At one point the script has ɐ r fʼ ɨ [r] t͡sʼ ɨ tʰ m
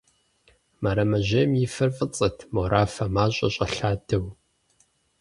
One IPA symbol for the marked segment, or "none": none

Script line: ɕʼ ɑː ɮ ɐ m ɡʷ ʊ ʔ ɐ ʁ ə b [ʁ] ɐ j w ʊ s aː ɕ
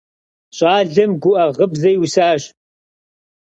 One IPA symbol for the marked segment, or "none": z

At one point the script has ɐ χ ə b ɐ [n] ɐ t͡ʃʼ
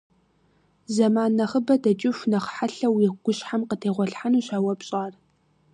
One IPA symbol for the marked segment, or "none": d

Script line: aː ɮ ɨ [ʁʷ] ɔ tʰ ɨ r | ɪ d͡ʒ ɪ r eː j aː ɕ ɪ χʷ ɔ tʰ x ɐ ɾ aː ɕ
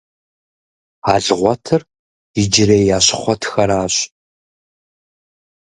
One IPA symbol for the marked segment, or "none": ʁʷ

